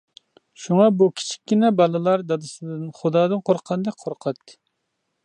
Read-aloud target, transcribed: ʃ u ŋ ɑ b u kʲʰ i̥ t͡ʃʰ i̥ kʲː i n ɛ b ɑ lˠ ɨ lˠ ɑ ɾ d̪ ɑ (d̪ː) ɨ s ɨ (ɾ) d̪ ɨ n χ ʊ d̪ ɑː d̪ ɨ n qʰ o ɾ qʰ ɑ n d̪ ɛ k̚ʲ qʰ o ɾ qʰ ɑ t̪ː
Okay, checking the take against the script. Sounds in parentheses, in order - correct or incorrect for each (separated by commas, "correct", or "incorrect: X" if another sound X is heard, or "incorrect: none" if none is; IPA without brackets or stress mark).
incorrect: d̪, incorrect: none